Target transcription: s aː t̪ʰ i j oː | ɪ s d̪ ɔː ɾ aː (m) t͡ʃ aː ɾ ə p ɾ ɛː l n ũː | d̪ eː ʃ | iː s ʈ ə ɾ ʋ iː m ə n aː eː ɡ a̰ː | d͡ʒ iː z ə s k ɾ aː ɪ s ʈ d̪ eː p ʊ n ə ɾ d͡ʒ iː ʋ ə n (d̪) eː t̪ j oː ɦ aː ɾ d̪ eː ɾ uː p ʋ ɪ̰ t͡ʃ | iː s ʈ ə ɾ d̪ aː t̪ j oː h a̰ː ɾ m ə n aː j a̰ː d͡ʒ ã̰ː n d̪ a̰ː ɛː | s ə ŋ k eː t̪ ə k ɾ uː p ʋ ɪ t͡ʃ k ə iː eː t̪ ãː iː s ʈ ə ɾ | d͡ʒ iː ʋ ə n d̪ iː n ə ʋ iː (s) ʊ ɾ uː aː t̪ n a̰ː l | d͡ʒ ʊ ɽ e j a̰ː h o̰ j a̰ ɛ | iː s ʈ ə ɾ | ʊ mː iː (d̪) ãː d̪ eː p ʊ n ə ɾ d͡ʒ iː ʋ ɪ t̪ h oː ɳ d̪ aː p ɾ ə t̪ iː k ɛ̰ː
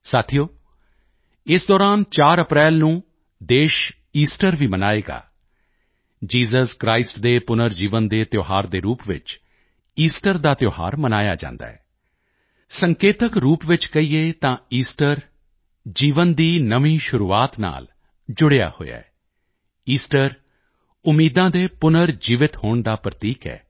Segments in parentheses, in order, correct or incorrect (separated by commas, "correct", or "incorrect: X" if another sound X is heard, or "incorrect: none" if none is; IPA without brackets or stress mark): incorrect: n, correct, incorrect: ʃ, correct